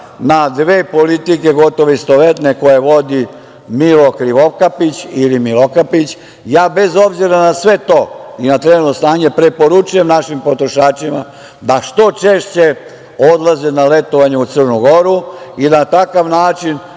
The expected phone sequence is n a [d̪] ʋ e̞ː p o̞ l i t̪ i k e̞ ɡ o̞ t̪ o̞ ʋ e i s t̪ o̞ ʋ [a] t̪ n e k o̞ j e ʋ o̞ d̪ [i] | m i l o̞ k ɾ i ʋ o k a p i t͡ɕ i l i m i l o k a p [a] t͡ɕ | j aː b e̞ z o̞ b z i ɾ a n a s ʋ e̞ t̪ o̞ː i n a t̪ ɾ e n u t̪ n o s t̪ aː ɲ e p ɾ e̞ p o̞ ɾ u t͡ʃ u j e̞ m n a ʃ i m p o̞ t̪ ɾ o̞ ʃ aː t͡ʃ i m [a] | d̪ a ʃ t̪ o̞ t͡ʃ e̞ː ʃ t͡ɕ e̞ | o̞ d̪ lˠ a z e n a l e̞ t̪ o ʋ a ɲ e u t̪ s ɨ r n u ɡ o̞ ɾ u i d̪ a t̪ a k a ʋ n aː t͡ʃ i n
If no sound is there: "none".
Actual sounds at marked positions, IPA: d̪, e, i, i, a

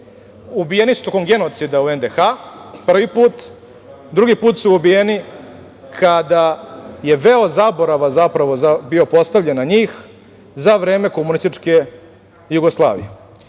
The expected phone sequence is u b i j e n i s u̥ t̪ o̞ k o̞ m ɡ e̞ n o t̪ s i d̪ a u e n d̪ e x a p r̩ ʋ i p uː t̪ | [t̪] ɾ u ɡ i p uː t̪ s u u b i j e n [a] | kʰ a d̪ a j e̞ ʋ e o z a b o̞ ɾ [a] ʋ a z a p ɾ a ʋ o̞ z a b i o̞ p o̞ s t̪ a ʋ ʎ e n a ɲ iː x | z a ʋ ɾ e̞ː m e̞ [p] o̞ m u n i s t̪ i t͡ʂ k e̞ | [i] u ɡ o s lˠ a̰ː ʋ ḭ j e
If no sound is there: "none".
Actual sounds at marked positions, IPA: d̪, i, a, k, j

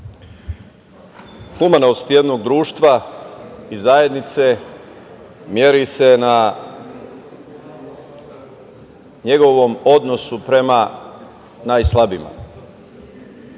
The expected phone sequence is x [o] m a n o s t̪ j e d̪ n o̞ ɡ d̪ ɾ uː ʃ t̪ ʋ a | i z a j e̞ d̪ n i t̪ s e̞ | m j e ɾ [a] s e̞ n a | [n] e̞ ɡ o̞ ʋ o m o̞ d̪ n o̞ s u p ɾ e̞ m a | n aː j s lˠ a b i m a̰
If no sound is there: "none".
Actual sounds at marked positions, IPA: u, i, ɲ

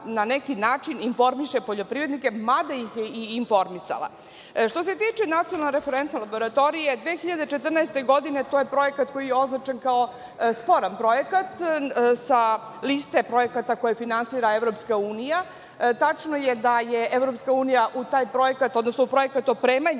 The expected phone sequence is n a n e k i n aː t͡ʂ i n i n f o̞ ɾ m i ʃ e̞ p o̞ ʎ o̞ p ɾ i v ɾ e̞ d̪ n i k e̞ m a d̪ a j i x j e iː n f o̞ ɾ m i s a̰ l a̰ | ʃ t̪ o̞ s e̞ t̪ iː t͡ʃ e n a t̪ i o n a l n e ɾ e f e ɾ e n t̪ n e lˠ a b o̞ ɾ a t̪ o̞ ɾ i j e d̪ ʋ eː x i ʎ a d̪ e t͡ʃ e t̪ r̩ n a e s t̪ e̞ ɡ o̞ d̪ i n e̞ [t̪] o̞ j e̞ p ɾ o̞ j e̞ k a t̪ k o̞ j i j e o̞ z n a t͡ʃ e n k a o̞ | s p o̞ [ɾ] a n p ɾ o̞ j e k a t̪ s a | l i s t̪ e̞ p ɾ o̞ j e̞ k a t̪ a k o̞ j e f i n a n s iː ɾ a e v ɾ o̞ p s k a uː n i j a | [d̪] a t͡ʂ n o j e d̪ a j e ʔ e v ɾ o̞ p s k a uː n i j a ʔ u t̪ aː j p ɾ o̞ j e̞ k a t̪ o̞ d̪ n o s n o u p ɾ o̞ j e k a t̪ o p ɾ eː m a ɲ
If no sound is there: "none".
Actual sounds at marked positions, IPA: t̪, ɾ, t̪

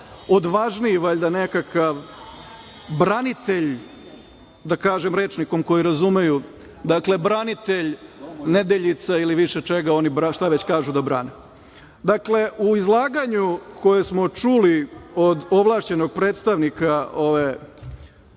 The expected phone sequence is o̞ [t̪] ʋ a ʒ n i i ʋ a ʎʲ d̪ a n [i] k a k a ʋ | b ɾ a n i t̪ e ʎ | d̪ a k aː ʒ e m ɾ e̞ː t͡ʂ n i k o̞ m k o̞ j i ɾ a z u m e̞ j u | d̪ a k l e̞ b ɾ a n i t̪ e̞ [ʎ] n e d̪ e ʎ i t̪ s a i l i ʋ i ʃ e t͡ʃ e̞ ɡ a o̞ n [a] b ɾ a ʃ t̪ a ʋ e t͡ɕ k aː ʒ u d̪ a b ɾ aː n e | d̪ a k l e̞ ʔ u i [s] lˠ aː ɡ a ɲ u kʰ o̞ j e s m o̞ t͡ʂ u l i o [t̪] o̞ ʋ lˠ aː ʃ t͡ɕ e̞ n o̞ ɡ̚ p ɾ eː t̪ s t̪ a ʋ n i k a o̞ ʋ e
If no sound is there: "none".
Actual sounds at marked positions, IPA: d̪, e, ʎ, i, z, d̪

